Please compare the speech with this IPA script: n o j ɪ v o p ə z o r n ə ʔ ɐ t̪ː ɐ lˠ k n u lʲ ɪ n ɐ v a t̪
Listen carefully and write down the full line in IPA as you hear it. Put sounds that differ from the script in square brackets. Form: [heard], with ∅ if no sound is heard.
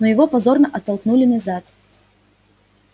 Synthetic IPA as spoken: n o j ɪ v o p [ɐ] z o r n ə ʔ ɐ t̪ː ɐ lˠ k n u lʲ ɪ n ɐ [z] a t̪